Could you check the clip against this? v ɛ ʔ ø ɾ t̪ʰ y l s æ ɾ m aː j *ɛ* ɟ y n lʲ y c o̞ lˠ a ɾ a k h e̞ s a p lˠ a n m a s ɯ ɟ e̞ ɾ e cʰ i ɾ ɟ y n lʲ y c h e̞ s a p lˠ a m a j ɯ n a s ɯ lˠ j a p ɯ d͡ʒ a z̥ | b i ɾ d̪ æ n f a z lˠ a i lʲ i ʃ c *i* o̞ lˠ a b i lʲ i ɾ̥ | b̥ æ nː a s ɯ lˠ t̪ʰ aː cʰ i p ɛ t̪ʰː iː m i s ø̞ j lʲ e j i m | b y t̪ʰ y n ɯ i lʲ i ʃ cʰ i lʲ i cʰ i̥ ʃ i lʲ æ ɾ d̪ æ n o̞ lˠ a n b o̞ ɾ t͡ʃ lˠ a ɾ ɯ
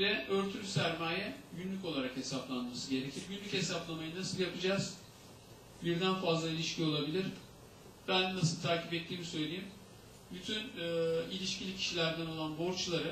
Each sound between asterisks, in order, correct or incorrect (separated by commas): correct, correct